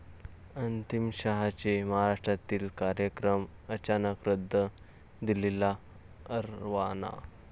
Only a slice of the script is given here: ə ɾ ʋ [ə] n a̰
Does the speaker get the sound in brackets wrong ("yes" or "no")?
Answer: yes